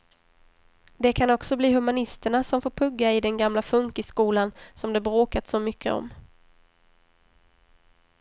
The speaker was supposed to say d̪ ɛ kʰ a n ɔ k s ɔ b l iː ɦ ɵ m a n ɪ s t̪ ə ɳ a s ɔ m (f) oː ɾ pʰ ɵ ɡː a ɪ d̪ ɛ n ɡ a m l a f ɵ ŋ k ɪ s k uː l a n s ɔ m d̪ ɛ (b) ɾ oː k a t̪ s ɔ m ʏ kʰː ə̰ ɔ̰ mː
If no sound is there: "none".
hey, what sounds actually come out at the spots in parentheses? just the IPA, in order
f, b

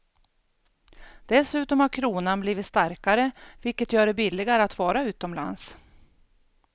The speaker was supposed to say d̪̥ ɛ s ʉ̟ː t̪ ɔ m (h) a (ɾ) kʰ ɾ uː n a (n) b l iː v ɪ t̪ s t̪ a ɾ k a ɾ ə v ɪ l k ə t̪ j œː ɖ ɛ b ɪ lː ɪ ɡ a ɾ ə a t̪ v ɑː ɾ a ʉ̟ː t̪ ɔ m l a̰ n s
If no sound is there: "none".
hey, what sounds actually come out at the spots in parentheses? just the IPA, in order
h, ɾ, n

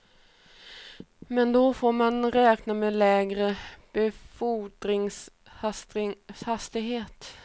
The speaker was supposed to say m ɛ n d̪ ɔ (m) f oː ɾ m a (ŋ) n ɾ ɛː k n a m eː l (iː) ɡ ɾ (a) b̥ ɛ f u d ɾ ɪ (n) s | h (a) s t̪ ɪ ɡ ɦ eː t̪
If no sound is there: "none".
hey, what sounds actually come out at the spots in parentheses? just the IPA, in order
none, none, ɛː, ə, ŋ, a

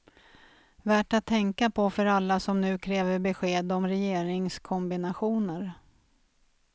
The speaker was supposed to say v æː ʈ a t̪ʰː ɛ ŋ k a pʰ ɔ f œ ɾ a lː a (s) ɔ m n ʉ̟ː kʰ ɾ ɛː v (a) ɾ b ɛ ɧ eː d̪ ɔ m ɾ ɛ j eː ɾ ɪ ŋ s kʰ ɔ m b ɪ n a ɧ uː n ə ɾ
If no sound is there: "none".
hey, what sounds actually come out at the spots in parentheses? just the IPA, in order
s, ə

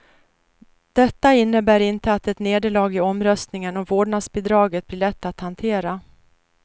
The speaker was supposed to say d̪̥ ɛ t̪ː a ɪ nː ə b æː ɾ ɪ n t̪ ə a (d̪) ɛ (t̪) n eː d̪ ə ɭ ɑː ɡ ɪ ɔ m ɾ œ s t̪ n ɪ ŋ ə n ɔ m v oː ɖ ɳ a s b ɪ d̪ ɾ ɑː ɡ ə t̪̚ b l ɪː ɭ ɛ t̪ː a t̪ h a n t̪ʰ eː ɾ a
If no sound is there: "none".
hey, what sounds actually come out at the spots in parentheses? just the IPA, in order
t̪, t̪

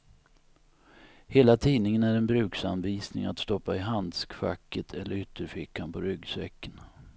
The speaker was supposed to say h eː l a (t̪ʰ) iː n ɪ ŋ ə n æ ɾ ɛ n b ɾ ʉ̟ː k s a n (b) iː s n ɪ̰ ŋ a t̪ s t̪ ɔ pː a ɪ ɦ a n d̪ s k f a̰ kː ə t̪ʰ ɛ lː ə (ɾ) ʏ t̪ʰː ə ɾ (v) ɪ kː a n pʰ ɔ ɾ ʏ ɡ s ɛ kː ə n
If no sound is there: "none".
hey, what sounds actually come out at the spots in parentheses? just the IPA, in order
t̪ʰ, v, ɾ, f

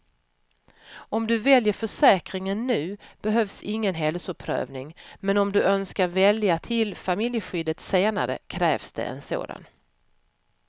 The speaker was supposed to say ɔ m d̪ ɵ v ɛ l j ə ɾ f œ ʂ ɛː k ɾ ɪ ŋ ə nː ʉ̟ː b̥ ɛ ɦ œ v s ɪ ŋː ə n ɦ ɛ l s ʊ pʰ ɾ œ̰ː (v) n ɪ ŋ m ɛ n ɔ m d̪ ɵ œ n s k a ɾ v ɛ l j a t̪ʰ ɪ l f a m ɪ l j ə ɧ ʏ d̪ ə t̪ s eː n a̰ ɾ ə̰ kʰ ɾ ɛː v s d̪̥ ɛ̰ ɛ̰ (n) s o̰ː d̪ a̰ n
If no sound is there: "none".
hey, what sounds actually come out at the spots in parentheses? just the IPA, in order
v, n

